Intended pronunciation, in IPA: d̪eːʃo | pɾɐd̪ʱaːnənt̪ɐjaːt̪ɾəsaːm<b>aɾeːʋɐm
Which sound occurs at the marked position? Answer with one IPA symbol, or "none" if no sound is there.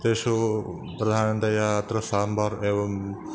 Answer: b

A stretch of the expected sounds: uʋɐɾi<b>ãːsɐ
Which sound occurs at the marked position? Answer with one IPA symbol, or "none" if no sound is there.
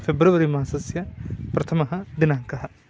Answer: m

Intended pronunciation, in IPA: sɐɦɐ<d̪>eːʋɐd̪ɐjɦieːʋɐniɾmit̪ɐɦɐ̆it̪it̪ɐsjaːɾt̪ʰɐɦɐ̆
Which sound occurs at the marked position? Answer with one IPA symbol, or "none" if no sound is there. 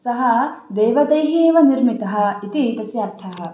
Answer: d̪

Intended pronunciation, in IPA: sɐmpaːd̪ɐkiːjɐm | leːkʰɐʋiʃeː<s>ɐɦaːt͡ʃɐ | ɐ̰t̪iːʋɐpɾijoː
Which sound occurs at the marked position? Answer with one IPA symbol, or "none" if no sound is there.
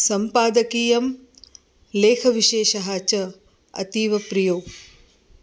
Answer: ʃ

